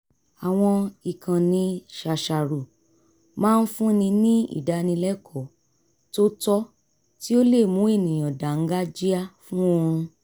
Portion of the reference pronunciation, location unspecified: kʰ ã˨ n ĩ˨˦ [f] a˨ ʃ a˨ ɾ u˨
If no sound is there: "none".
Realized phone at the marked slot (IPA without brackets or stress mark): ʃ